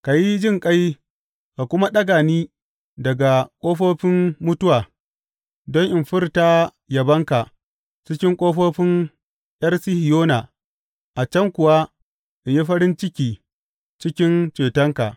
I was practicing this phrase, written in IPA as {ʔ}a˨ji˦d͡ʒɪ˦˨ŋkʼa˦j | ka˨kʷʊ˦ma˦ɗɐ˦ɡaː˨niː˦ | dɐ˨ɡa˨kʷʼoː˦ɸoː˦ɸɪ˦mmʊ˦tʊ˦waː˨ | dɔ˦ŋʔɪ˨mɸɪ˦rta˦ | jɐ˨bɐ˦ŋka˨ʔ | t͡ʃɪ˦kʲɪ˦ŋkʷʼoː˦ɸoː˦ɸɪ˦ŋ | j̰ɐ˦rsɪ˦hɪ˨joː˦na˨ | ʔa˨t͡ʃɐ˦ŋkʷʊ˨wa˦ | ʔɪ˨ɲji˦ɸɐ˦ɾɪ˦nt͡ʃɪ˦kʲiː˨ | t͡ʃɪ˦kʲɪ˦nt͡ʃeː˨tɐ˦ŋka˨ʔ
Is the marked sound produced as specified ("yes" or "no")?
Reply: no